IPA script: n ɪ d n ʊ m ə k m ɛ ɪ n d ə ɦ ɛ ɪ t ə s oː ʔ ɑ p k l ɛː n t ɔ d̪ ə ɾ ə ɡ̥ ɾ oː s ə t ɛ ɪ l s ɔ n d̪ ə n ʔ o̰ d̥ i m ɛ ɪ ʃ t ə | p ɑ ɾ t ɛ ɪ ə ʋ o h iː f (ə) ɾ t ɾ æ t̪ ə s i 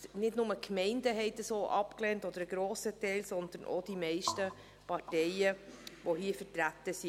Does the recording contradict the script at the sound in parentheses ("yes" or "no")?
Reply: no